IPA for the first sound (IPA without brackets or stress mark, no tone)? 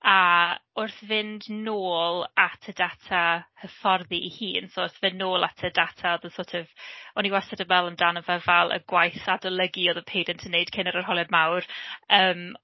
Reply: a